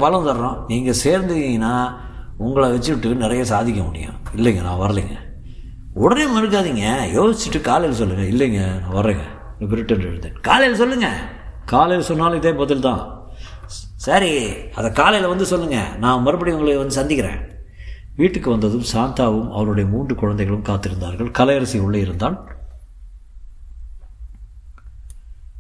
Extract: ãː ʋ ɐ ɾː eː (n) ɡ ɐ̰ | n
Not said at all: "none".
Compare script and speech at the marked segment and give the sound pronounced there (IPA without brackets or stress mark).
ŋ